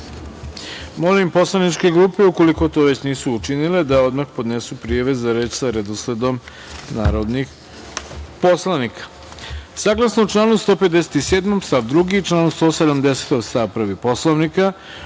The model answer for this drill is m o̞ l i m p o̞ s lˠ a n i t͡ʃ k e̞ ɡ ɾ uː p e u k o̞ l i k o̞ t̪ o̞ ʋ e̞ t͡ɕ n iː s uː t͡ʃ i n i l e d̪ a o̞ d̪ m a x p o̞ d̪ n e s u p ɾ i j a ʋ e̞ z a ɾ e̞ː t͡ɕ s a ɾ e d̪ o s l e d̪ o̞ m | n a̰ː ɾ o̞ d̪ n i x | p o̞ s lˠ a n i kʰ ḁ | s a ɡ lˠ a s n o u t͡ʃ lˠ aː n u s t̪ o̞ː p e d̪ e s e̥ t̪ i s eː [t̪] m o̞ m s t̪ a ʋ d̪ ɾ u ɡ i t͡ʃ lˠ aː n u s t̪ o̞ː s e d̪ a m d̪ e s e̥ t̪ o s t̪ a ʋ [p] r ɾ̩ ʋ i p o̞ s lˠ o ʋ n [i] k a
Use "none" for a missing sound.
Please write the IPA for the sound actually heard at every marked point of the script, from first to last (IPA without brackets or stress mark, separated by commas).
d̪, p, i